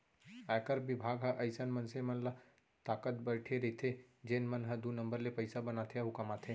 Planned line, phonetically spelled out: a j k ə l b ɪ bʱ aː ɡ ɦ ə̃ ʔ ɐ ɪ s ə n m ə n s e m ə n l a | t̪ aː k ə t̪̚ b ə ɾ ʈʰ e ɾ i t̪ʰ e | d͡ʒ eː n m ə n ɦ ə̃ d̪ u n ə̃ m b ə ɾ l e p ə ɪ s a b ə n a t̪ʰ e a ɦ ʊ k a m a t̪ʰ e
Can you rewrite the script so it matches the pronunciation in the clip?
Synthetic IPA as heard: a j k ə ɾ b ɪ bʱ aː ɡ ɦ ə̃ ʔ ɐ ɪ s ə n m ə n s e m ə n l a | t̪ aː k ə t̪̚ b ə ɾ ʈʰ e ɾ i t̪ʰ e | d͡ʒ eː n m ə n ɦ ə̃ d̪ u n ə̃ m b ə ɾ l e p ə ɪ s a b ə n a t̪ʰ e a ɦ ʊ k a m a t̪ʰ e